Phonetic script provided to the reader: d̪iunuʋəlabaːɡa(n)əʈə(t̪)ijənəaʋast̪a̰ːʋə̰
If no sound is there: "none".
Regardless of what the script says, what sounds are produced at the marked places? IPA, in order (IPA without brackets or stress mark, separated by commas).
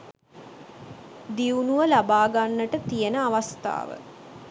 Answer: nː, t̪